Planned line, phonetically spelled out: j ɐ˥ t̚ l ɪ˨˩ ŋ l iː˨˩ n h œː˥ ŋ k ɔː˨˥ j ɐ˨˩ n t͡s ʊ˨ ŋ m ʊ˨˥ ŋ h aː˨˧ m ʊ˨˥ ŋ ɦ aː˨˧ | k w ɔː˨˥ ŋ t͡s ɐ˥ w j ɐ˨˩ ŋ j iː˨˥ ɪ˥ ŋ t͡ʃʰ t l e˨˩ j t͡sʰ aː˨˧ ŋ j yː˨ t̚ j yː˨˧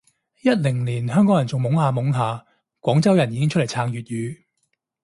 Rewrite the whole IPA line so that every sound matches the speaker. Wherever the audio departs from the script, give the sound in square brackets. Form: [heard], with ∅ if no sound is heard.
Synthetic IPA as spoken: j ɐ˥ t̚ l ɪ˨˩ ŋ l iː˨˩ n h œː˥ ŋ k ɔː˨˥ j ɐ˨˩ n t͡s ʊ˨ ŋ m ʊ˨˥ ŋ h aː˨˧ m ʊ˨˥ ŋ ɦ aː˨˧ | k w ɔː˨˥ ŋ t͡s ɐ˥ w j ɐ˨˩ [n] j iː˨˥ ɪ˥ ŋ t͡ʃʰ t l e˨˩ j t͡sʰ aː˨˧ ŋ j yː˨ t̚ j yː˨˧

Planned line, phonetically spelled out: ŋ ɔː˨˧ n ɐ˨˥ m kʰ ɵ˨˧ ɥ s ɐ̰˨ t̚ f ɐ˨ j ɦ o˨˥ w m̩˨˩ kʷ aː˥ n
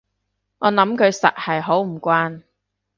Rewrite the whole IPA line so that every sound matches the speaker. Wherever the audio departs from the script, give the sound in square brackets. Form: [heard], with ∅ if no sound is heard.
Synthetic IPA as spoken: ŋ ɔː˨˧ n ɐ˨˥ m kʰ ɵ˨˧ ɥ s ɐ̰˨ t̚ [h] ɐ˨ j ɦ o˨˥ w m̩˨˩ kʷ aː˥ n

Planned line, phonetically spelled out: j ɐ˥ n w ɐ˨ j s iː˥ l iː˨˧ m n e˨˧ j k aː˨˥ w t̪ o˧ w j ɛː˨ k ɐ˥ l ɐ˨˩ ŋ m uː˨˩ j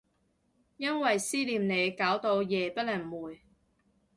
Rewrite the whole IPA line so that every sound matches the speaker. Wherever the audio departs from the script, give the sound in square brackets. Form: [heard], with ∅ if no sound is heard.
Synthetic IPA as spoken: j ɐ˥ n w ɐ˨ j s iː˥ l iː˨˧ m n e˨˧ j k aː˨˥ w t̪ o˧ w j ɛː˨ [p] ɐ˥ l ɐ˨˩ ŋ m uː˨˩ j

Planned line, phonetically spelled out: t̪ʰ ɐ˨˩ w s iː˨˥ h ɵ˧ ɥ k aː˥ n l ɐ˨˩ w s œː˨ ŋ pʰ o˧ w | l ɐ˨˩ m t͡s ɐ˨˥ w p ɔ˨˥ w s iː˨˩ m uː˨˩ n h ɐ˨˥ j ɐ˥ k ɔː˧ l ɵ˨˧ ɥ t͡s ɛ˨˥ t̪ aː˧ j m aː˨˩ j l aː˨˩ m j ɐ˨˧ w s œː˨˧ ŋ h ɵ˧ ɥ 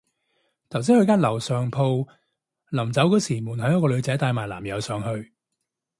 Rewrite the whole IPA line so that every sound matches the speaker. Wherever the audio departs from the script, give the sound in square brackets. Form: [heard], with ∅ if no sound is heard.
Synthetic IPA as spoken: t̪ʰ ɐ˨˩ w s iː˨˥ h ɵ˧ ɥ k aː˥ n l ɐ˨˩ w s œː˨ ŋ pʰ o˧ w | l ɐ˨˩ m t͡s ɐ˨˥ w [k] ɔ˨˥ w s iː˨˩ m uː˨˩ n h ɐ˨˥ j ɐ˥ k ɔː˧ l ɵ˨˧ ɥ t͡s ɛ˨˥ t̪ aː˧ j m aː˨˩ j l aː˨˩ m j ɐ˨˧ w s œː˨˧ ŋ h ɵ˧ ɥ

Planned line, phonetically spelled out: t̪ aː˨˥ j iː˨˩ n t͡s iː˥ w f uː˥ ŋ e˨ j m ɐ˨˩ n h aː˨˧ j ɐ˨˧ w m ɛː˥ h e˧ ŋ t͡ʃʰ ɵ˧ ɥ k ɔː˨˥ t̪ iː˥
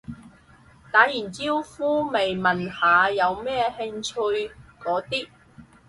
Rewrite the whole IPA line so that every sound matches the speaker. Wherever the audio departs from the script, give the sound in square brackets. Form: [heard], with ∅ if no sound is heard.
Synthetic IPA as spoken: t̪ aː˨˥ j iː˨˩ n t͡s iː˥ w f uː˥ [m] e˨ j m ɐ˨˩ n h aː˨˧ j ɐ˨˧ w m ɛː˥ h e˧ ŋ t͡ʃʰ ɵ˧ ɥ k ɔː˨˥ t̪ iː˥

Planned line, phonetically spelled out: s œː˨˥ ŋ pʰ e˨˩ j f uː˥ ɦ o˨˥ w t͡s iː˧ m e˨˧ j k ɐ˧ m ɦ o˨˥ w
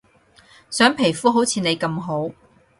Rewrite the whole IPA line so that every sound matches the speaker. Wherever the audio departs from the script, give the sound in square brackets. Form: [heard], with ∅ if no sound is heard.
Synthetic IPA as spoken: s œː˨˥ ŋ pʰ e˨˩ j f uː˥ ɦ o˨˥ w [t͡sʰ] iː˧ [n] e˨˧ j k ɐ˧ m ɦ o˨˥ w

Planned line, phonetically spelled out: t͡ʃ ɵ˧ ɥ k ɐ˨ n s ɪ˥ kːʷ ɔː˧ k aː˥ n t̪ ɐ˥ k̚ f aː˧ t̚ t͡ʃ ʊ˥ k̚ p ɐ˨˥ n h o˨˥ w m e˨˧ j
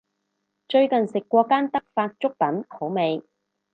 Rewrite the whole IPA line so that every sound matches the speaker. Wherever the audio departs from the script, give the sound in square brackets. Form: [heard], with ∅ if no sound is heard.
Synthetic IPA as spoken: t͡ʃ ɵ˧ ɥ k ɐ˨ n s [ɪ˨] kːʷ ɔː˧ k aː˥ n t̪ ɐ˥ k̚ f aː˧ t̚ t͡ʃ ʊ˥ k̚ p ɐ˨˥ n h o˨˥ w m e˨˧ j

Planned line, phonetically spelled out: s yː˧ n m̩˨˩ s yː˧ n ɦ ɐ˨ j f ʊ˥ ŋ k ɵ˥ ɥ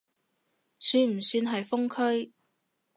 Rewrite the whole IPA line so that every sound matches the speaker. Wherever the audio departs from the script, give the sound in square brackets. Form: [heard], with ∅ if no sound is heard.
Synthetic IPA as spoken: s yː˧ n m̩˨˩ s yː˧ n ɦ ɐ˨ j f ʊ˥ ŋ [kʰ] ɵ˥ ɥ

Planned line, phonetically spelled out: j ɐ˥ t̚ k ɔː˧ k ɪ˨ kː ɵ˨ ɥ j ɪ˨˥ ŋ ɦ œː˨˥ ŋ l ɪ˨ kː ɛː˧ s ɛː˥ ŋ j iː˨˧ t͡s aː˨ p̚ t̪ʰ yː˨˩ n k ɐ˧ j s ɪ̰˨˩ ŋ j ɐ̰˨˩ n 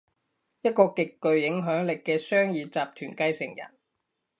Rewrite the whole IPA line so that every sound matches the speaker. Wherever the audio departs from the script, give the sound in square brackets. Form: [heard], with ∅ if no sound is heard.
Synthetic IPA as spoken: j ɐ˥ t̚ k ɔː˧ k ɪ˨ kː ɵ˨ ɥ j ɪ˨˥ ŋ ɦ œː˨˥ ŋ l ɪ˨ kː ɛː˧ s [œː˥] ŋ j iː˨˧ t͡s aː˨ p̚ t̪ʰ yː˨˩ n k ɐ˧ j s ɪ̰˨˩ ŋ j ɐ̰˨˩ n

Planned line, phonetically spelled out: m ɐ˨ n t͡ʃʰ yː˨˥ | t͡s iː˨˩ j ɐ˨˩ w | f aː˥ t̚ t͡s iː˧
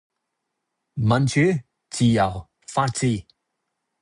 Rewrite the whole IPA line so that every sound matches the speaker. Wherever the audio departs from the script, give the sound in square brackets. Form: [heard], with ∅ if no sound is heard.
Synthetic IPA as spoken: m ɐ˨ n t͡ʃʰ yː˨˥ | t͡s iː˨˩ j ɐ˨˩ w | f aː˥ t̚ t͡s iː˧

